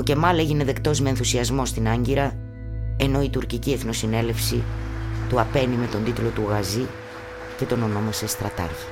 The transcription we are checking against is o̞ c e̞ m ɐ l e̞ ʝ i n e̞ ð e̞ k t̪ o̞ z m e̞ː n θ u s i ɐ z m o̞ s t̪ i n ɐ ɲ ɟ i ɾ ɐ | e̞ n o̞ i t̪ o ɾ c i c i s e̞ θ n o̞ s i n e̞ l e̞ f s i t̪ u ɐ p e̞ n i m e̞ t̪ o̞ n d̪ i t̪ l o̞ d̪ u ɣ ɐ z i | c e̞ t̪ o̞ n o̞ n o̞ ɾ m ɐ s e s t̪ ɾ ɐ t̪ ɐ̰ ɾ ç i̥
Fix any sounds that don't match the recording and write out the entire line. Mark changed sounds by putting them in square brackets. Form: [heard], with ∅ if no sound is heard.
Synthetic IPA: o̞ c e̞ m ɐ l e̞ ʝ i n e̞ ð e̞ k t̪ o̞ z m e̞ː n θ u s i ɐ z m o̞ s t̪ i n ɐ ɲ ɟ i ɾ ɐ | e̞ n o̞ i t̪ [u] ɾ c i c i [∅] e̞ θ n o̞ s i n e̞ l e̞ f s i t̪ u ɐ p e̞ n i m e̞ t̪ o̞ n d̪ i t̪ l o̞ [t̪] u ɣ ɐ z i | c e̞ t̪ o̞ n o̞ n o̞ [∅] m ɐ s e s t̪ ɾ ɐ t̪ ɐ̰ ɾ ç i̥